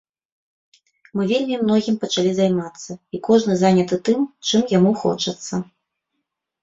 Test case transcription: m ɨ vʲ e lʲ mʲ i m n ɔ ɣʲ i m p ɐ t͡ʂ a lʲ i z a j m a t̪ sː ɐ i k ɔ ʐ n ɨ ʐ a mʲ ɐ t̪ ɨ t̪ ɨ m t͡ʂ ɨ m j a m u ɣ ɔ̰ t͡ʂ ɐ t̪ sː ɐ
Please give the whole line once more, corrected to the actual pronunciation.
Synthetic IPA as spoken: m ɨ vʲ e lʲ mʲ i m n ɔ ɣʲ i m p ɐ t͡ʂ a lʲ i z a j m a t̪ sː ɐ i k ɔ ʐ n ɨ z a nʲ ɐ t̪ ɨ t̪ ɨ m t͡ʂ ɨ m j a m u x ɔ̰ t͡ʂ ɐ t̪ sː ɐ